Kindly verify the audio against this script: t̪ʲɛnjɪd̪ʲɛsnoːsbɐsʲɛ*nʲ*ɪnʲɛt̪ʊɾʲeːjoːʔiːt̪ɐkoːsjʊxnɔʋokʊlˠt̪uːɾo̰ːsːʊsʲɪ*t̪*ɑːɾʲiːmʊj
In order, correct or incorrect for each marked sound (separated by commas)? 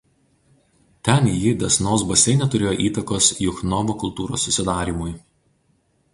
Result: incorrect, incorrect